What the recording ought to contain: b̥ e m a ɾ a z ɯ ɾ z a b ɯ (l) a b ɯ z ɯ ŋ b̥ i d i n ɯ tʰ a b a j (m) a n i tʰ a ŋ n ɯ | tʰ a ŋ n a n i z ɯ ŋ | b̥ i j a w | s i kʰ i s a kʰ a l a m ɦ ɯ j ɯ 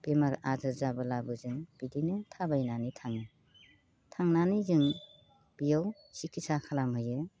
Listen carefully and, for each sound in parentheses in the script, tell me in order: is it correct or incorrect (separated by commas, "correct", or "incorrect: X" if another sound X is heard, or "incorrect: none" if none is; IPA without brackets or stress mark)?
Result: correct, incorrect: n